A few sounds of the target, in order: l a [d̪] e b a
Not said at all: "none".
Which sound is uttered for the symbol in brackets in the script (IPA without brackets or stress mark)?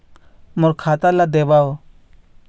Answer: d̪